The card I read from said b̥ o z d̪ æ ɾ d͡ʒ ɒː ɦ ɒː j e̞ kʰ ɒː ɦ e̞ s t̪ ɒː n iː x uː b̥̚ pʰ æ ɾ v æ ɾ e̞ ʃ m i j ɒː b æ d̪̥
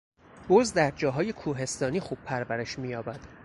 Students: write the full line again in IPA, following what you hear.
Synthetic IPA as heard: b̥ o z d̪ æ ɾ d͡ʒ ɒː ɦ ɒː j e̞ kʰ uː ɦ e̞ s t̪ ɒː n iː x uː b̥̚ pʰ æ ɾ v æ ɾ e̞ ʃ m i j ɒː b æ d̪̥